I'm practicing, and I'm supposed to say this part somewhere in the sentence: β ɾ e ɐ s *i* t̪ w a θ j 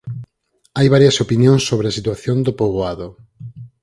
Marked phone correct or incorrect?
correct